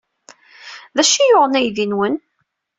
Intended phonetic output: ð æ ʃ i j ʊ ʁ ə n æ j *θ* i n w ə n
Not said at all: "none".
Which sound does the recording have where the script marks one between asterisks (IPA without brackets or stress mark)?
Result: ð